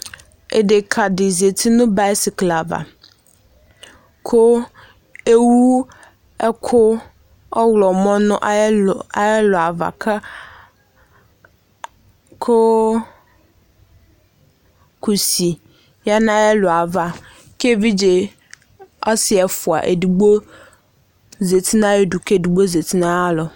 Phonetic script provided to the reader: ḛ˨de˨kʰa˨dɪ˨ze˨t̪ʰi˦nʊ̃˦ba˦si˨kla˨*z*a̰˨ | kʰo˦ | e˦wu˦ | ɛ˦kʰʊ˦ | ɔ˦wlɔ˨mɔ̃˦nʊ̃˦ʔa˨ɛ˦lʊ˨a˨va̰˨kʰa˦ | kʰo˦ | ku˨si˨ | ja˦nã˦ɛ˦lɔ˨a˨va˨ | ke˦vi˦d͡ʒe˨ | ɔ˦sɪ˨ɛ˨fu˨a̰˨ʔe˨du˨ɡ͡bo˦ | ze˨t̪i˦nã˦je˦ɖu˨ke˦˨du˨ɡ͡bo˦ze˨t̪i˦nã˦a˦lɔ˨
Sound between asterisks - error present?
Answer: yes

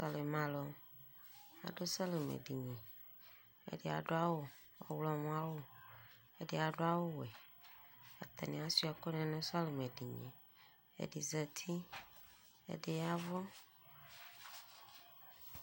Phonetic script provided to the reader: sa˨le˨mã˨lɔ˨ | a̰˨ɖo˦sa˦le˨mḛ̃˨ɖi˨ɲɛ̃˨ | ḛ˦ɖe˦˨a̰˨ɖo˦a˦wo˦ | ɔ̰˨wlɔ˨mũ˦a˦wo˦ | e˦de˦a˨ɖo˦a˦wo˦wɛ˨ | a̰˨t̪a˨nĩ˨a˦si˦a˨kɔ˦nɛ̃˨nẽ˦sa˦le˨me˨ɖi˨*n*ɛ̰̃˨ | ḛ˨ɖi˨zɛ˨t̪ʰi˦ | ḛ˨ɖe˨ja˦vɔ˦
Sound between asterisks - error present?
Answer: yes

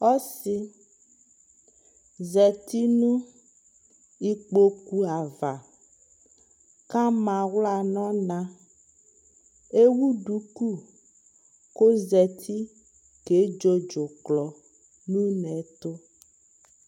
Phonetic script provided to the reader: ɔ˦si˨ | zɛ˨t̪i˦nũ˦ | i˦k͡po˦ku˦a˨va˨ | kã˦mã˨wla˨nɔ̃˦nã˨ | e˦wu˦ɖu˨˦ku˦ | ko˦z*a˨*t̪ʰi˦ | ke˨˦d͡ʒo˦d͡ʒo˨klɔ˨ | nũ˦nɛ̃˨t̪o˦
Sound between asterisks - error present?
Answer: yes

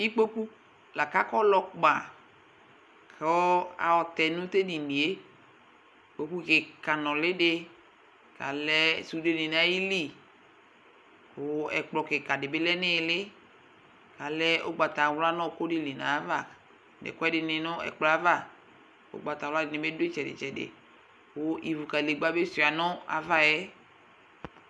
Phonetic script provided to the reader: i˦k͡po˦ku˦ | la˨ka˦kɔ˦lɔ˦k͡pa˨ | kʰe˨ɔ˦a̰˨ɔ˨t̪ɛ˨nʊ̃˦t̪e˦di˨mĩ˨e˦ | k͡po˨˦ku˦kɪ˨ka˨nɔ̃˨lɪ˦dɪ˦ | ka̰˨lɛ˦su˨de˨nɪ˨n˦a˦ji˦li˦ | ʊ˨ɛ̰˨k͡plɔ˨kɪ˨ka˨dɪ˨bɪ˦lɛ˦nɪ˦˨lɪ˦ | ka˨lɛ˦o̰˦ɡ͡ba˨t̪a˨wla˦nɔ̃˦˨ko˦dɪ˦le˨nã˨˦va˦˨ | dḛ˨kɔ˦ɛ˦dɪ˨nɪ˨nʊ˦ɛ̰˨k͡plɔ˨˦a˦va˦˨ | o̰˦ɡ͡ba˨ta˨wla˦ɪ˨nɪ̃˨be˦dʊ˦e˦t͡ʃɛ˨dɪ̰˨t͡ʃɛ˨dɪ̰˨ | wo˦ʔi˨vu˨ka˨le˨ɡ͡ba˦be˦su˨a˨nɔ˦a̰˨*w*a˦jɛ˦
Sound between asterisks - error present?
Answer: yes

